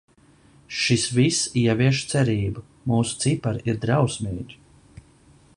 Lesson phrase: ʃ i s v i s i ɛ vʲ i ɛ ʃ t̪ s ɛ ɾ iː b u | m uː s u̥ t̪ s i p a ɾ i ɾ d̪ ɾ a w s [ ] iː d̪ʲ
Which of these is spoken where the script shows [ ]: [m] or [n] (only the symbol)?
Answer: m